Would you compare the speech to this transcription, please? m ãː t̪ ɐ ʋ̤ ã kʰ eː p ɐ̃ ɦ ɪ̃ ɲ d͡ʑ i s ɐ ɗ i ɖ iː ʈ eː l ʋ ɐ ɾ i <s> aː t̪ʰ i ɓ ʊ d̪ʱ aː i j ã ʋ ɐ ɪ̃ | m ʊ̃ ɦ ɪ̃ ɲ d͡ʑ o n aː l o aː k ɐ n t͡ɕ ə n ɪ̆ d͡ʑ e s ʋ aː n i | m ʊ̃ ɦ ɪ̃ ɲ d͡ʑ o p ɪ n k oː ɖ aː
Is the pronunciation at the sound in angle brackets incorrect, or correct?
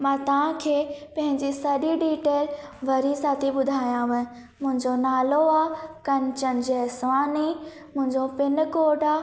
correct